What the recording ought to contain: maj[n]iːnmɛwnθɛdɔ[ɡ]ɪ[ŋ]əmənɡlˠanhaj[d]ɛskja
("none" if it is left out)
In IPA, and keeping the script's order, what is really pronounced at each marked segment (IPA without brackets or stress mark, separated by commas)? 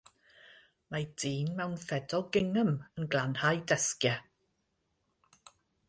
d, ɡ, ŋ, d